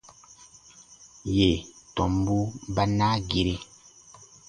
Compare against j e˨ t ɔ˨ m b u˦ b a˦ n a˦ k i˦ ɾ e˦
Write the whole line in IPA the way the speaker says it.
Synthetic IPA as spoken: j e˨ t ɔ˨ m b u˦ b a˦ n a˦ ɡ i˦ ɾ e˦